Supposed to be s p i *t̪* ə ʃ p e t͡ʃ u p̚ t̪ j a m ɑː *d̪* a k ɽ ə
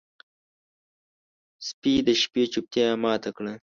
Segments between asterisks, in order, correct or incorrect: incorrect, incorrect

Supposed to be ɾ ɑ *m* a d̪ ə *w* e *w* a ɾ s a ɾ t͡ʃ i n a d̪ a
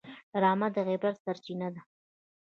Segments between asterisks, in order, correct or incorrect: correct, incorrect, incorrect

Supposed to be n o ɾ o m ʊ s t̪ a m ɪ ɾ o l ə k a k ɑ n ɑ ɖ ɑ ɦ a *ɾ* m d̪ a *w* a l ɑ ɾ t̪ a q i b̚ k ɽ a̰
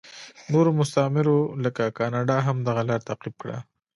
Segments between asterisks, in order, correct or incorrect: incorrect, incorrect

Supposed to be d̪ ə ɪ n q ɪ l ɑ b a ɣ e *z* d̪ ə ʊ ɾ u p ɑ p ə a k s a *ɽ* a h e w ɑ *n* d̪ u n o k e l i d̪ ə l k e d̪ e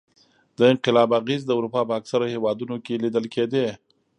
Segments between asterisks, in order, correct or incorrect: correct, incorrect, incorrect

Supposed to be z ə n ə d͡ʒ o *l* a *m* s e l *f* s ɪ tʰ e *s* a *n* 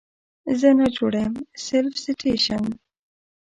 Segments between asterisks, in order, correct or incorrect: incorrect, correct, correct, incorrect, correct

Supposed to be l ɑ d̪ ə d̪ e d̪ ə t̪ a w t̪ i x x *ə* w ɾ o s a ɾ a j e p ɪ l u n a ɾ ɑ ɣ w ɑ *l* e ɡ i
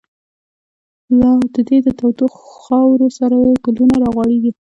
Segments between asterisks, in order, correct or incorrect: incorrect, incorrect

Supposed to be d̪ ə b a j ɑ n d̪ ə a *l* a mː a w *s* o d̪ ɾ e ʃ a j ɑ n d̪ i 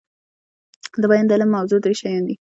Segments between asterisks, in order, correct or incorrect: correct, incorrect

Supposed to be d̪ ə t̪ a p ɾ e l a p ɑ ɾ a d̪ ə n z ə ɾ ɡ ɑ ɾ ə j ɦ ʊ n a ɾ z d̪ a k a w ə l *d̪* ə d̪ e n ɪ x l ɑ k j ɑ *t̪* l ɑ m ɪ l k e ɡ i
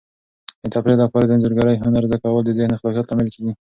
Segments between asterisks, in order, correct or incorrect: correct, correct

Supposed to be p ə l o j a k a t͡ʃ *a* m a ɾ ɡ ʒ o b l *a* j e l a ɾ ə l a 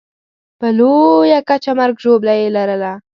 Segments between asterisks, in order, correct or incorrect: correct, correct

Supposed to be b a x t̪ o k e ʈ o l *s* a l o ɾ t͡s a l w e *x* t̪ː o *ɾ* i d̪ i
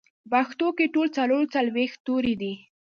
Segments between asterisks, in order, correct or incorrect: incorrect, correct, correct

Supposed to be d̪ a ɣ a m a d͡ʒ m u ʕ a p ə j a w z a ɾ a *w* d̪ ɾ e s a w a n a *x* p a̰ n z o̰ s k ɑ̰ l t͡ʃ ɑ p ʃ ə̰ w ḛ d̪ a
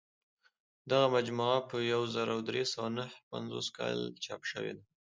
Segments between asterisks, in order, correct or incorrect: correct, incorrect

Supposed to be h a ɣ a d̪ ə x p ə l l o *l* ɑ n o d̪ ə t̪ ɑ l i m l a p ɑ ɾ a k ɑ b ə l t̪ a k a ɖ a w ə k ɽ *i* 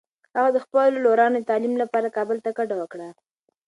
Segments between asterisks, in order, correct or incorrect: incorrect, incorrect

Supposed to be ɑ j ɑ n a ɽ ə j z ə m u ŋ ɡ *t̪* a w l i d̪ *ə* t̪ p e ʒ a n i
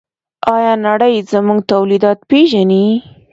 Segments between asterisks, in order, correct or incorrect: correct, incorrect

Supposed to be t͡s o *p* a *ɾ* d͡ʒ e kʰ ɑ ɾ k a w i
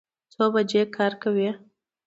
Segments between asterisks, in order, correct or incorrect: incorrect, incorrect

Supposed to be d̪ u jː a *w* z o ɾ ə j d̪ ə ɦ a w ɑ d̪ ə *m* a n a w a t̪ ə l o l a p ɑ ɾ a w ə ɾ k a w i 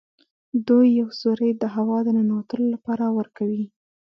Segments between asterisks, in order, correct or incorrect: correct, incorrect

